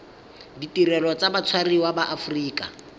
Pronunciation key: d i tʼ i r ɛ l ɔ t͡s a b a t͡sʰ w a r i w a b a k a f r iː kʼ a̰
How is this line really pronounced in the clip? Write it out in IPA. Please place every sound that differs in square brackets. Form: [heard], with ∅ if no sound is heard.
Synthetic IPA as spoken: d i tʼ i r ɛ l ɔ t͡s a b a t͡sʰ w a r i w a b a [ʔ] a f r iː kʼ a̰